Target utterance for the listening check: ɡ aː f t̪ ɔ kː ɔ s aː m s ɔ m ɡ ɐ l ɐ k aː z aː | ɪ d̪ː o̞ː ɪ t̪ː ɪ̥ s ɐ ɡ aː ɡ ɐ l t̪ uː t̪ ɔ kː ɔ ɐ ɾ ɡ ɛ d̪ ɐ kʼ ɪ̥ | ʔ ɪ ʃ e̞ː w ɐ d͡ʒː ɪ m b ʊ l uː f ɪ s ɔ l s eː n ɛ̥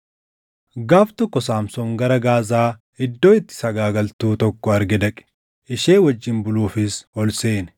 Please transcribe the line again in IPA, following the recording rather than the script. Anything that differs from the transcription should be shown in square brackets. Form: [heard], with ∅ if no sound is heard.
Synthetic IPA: ɡ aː f t̪ ɔ kː ɔ s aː m s ɔ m ɡ ɐ [ɾ] ɐ [ɡ] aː z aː | ɪ d̪ː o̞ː ɪ t̪ː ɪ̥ s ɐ ɡ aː ɡ ɐ l t̪ uː t̪ ɔ kː ɔ ɐ ɾ ɡ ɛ d̪ ɐ kʼ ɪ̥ | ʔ ɪ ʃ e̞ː w ɐ d͡ʒː ɪ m b ʊ l uː f ɪ s ɔ l s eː n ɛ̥

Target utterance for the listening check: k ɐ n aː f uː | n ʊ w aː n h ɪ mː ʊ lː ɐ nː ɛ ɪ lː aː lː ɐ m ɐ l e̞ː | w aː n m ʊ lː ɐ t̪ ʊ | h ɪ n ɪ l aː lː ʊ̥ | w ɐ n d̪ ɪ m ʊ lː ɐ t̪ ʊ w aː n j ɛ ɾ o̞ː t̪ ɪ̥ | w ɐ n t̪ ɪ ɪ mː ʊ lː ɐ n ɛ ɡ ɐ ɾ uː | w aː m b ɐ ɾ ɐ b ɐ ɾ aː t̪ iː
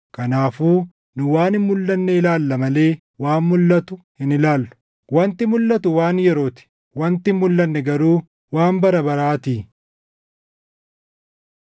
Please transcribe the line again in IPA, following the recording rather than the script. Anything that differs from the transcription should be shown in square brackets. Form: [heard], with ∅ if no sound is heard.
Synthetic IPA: k ɐ n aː f uː | n ʊ w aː n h ɪ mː ʊ lː ɐ nː ɛ ɪ [l] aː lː ɐ m ɐ l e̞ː | w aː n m ʊ lː ɐ t̪ ʊ | h ɪ n ɪ l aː lː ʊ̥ | w ɐ n [t̪] ɪ m ʊ lː ɐ t̪ ʊ w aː n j ɛ ɾ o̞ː t̪ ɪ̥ | w ɐ n t̪ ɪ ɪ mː ʊ lː ɐ [nː] ɛ ɡ ɐ ɾ uː | w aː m b ɐ ɾ ɐ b ɐ ɾ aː t̪ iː

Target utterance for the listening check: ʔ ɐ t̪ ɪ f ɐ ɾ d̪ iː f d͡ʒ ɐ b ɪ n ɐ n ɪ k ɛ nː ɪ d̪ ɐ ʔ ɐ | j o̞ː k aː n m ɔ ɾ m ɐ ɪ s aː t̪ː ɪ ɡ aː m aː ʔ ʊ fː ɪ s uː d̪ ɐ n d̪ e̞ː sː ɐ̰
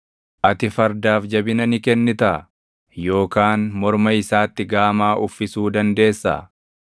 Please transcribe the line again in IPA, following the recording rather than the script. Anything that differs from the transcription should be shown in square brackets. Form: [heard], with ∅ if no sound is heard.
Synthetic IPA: ʔ ɐ t̪ ɪ f ɐ ɾ d̪ [aː] f d͡ʒ ɐ b ɪ n ɐ n ɪ k ɛ nː ɪ [t̪] ɐ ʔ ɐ | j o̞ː k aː n m ɔ ɾ m ɐ ɪ s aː t̪ː ɪ ɡ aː m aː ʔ ʊ fː ɪ s uː d̪ ɐ n d̪ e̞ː sː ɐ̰

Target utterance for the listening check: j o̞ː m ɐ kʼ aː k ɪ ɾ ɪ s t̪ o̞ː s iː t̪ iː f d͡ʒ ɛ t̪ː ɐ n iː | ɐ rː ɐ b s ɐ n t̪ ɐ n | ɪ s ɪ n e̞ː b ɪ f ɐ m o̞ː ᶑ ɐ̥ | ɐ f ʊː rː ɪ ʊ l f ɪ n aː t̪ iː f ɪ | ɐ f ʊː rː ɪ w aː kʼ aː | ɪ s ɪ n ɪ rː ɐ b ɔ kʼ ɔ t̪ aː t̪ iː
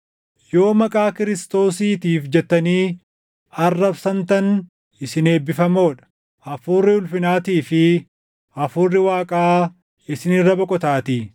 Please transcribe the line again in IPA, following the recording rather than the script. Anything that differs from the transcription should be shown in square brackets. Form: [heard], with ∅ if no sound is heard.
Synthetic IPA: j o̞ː m ɐ kʼ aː k ɪ ɾ ɪ s t̪ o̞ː s iː t̪ iː f d͡ʒ ɛ t̪ː ɐ n iː | ɐ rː ɐ b s ɐ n t̪ ɐ n | ɪ s ɪ n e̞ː b ɪ f ɐ m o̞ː ᶑ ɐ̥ | ɐ f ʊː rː ɪ ʊ l f ɪ n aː t̪ iː f ɪ | ɐ f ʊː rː ɪ w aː kʼ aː | ɪ s ɪ n ɪ rː ɐ b ɔ kʼ ɔ t̪ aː t̪ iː

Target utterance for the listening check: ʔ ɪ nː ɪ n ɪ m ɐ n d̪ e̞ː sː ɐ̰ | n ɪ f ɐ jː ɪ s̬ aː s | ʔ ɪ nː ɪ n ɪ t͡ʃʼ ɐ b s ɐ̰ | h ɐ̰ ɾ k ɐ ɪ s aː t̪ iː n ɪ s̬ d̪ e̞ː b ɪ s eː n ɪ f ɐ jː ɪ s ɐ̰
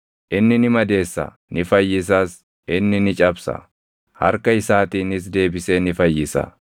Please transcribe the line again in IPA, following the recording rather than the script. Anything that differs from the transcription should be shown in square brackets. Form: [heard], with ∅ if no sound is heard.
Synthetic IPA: ʔ ɪ nː ɪ n ɪ m ɐ [∅] d̪ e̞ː sː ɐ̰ | n ɪ f ɐ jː ɪ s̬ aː s | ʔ ɪ nː ɪ n ɪ t͡ʃʼ ɐ b s ɐ̰ | h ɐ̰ ɾ k ɐ ɪ s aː t̪ iː n ɪ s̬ d̪ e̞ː b ɪ s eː n ɪ f ɐ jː ɪ s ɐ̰

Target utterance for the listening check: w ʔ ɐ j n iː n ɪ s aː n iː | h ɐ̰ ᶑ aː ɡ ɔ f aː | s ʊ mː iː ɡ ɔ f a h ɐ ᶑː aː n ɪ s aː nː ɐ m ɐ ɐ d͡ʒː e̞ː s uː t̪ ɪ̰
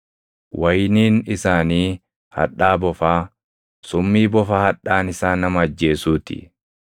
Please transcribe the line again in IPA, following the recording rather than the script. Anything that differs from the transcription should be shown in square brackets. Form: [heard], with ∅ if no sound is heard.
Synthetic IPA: w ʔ ɐ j n iː n ɪ s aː n iː | h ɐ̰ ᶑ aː [b] ɔ f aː | s ʊ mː iː [b] ɔ f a h ɐ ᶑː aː n ɪ s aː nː ɐ m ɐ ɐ d͡ʒː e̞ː s uː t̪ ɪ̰

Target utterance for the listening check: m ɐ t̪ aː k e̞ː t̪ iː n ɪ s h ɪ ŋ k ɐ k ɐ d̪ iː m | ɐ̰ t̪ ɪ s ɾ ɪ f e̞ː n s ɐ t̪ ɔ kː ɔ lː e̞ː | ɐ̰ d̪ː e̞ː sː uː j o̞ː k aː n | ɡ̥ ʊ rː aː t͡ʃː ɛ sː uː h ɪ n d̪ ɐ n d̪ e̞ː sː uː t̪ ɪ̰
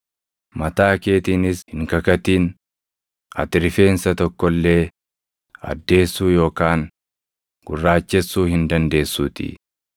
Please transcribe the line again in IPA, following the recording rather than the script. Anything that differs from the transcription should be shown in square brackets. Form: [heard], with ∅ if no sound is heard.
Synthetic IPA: m ɐ t̪ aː k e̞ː t̪ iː n ɪ s h ɪ ŋ k ɐ k ɐ [t̪] iː [n] | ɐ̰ t̪ ɪ [∅] ɾ ɪ f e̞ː n s ɐ t̪ ɔ kː ɔ lː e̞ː | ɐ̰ d̪ː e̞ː sː uː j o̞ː k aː n | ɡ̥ ʊ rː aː t͡ʃː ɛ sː uː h ɪ n d̪ ɐ n d̪ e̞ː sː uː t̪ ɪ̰

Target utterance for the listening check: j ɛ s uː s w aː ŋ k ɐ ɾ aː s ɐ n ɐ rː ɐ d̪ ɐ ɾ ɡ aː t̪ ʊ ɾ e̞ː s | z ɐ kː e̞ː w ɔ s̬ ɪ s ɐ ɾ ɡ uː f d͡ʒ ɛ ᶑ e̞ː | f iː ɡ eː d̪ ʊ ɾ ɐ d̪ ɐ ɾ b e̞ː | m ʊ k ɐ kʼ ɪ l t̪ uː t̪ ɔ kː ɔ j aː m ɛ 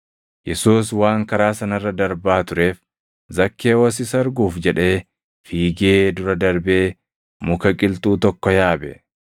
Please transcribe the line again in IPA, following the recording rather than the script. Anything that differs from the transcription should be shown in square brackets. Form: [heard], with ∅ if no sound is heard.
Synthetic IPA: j ɛ s uː s w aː ŋ k ɐ ɾ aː s ɐ n ɐ rː ɐ d̪ ɐ ɾ [b] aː t̪ ʊ ɾ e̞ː [f] | z ɐ kː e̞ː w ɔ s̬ ɪ s ɐ ɾ ɡ uː f d͡ʒ ɛ ᶑ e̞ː | f iː ɡ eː d̪ ʊ ɾ ɐ d̪ ɐ ɾ b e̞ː | m ʊ k ɐ kʼ ɪ l t̪ uː t̪ ɔ kː ɔ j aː [b] ɛ

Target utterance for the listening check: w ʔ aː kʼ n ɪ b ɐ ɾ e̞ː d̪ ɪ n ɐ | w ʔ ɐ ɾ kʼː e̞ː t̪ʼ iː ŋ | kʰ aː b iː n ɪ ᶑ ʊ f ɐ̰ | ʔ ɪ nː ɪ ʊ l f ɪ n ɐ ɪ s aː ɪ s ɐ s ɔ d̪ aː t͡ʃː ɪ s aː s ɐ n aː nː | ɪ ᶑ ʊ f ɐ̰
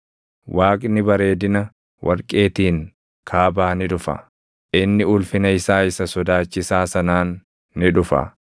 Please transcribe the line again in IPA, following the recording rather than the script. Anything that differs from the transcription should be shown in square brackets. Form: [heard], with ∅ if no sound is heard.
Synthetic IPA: w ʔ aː kʼ n ɪ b ɐ ɾ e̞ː d̪ ɪ n ɐ | w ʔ ɐ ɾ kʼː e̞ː [t̪] iː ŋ | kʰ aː b [aː] n ɪ ᶑ ʊ f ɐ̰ | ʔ ɪ nː ɪ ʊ l f ɪ n ɐ ɪ s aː ɪ s ɐ s ɔ d̪ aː t͡ʃː ɪ s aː s ɐ n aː nː | ɪ ᶑ ʊ f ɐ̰

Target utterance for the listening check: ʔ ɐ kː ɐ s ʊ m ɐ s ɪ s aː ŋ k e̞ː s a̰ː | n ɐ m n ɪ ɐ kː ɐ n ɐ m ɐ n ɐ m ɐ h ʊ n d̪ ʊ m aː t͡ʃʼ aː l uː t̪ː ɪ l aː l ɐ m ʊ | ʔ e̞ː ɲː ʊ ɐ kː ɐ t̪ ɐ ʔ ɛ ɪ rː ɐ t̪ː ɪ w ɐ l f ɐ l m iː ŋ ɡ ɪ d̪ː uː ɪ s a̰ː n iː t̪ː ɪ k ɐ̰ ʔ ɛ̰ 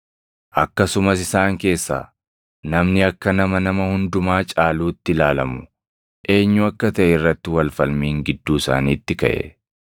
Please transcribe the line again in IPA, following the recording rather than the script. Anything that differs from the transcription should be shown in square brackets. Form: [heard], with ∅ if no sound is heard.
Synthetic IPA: ʔ ɐ kː ɐ s ʊ m ɐ s ɪ s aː ŋ k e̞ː [sː] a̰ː | n ɐ m n ɪ ɐ kː ɐ n ɐ m ɐ n ɐ m ɐ h ʊ n d̪ ʊ m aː t͡ʃʼ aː l uː t̪ː ɪ l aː l ɐ m ʊ | ʔ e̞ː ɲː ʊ ɐ kː ɐ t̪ ɐ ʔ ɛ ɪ rː ɐ t̪ː ɪ w ɐ l f ɐ l m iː ŋ ɡ ɪ d̪ː uː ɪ s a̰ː n iː t̪ː ɪ k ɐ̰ ʔ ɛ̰

